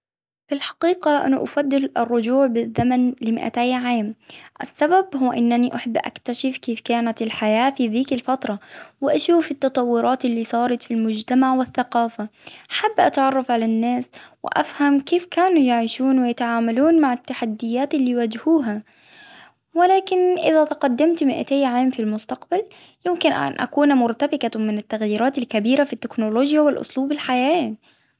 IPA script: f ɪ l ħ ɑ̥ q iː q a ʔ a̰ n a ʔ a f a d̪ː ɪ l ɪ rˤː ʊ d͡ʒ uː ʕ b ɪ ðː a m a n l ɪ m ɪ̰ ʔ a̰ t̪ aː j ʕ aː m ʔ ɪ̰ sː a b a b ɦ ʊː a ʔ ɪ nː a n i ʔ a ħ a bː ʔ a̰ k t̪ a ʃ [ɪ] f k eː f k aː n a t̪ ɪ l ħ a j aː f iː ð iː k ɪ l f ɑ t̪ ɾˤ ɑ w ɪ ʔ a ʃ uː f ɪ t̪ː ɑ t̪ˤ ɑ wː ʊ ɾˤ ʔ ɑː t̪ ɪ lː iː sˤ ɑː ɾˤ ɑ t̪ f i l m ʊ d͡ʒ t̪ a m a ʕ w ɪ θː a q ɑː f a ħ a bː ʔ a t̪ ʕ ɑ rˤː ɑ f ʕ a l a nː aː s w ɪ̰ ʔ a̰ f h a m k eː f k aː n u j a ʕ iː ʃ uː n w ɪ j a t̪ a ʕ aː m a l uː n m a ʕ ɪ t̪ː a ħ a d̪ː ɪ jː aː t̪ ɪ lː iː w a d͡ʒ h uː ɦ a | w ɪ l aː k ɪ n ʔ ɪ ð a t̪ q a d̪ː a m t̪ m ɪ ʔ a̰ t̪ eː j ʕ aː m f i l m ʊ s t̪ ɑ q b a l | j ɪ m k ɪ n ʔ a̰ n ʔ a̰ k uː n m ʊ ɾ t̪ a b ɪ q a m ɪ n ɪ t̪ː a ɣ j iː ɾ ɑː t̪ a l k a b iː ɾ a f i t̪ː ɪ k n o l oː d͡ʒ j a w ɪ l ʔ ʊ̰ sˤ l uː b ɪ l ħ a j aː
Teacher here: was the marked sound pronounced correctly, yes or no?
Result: yes